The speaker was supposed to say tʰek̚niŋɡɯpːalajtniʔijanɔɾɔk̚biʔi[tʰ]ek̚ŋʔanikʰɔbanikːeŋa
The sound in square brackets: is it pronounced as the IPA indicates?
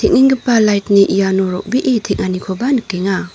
yes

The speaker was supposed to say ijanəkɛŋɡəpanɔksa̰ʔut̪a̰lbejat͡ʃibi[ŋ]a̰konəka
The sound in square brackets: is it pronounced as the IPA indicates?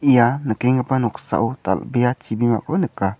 no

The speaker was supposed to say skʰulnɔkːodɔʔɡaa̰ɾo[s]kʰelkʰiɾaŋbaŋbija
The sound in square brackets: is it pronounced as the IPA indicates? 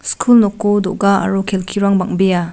no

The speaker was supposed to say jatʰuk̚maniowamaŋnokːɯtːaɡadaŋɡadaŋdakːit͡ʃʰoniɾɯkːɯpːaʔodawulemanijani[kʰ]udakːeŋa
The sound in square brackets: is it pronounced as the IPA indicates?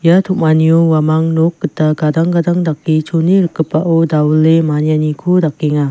yes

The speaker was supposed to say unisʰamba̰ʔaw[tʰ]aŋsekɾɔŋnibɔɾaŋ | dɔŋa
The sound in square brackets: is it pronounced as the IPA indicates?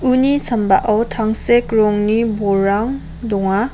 yes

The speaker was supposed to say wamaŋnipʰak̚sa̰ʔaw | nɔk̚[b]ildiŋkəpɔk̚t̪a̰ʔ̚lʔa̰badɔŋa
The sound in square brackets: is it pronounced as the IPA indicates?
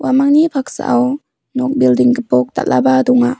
yes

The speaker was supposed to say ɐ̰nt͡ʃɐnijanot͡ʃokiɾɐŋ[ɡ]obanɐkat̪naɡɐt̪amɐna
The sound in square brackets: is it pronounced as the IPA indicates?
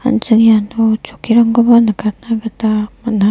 yes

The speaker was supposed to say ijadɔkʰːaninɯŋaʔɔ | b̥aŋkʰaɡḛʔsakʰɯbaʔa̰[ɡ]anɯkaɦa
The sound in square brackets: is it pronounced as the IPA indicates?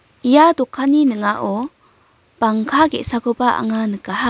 no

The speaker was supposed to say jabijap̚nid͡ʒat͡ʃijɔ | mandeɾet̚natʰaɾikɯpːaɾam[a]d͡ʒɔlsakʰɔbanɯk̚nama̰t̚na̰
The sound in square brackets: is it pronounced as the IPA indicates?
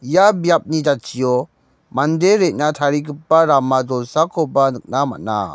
yes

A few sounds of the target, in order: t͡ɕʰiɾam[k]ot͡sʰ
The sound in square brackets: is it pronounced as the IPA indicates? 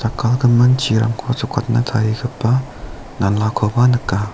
no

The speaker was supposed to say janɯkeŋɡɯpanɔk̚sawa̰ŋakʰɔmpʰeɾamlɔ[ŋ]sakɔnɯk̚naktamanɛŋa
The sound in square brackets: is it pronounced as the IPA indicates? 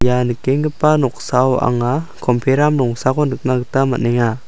yes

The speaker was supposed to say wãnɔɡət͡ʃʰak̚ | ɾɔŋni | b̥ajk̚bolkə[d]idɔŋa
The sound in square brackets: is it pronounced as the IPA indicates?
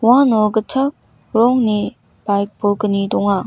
no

